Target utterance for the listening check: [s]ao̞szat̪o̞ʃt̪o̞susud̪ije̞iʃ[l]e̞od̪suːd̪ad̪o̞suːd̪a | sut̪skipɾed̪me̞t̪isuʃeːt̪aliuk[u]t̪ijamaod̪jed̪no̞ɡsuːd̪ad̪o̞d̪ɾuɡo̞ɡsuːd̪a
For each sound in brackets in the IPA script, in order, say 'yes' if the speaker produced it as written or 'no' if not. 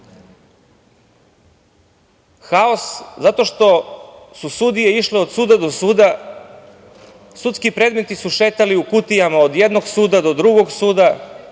no, yes, yes

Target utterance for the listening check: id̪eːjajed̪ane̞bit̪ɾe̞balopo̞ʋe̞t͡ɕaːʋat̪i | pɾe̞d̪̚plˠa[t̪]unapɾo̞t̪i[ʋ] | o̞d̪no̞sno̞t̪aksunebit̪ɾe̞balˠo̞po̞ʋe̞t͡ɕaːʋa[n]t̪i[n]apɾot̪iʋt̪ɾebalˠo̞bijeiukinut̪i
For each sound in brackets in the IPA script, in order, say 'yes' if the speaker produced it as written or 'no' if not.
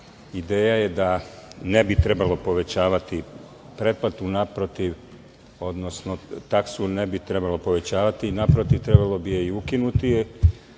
yes, yes, no, yes

